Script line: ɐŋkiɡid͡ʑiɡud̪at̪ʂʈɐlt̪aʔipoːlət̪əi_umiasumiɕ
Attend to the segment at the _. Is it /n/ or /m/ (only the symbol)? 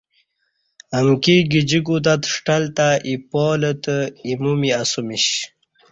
m